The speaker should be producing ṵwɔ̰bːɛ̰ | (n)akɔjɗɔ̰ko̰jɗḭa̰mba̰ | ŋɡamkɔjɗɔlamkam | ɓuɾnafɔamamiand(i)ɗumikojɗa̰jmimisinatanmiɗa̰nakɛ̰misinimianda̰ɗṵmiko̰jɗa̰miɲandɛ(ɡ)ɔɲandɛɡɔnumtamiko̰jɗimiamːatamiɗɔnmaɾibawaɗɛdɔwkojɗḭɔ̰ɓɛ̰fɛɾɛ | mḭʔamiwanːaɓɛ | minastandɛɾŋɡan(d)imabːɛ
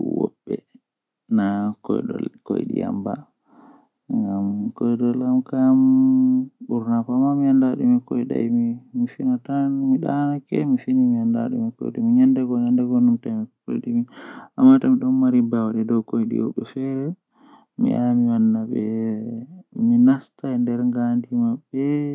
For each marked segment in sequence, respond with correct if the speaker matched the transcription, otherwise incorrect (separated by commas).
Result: correct, incorrect, correct, correct